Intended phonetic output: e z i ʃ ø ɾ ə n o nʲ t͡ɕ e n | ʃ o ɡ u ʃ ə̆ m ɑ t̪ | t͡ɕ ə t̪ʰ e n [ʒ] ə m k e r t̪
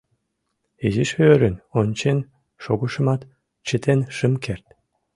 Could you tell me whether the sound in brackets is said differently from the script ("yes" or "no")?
yes